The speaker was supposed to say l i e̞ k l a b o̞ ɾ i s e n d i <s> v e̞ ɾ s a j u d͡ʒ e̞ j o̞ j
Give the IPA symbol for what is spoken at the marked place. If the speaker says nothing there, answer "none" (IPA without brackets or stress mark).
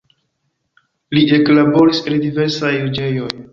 none